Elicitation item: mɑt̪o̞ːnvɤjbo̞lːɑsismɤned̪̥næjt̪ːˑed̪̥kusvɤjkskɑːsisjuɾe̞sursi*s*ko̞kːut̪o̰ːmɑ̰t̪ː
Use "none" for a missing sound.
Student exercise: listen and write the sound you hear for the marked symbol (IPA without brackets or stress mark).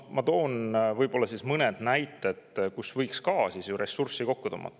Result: none